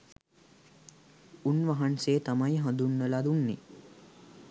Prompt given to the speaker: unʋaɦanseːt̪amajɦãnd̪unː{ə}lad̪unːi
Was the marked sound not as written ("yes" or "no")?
no